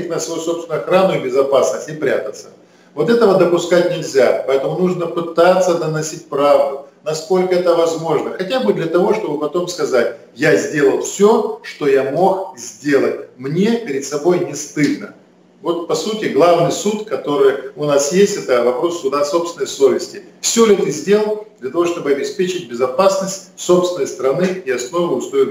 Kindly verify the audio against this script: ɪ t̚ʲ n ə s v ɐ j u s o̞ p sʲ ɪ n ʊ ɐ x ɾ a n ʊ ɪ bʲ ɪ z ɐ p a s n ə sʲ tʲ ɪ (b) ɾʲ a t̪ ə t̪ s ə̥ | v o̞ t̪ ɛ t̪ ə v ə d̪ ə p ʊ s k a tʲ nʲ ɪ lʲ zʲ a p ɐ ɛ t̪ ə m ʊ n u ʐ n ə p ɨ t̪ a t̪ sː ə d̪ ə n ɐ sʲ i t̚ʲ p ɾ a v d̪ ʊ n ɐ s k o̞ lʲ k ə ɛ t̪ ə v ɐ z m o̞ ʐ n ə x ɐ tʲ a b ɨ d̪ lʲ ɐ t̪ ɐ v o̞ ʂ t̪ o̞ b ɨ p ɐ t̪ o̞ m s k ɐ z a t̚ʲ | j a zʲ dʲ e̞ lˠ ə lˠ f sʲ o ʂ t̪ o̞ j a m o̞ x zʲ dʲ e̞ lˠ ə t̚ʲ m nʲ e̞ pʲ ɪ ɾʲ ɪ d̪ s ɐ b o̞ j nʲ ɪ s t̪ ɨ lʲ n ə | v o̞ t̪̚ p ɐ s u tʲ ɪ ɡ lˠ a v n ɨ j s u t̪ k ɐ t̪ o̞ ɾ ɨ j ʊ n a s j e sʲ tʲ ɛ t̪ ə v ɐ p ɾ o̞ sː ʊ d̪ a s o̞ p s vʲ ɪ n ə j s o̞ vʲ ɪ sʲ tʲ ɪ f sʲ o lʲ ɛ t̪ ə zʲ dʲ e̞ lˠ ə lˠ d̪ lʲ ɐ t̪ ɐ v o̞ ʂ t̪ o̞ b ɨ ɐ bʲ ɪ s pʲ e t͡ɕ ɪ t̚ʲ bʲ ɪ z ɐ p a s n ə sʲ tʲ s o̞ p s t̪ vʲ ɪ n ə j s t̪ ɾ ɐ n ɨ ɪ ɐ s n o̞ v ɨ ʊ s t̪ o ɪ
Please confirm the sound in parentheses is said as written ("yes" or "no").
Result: no